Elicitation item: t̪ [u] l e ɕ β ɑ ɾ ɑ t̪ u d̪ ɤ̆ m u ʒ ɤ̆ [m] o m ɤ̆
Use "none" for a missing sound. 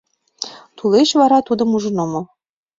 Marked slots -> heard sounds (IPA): u, n

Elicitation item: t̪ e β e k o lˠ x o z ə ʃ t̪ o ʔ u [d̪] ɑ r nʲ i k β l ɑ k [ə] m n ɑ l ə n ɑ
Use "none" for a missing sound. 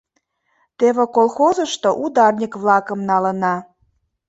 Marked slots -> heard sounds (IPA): d̪, ə

